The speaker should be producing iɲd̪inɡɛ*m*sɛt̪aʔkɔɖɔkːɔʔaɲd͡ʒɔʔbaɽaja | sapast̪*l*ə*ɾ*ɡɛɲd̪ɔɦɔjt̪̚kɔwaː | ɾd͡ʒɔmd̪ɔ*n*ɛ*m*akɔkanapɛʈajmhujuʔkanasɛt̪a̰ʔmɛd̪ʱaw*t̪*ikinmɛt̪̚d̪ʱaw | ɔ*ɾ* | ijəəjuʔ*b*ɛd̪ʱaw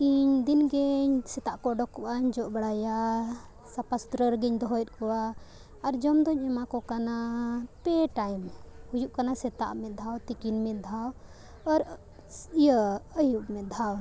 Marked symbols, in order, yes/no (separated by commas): no, no, yes, no, yes, yes, yes, no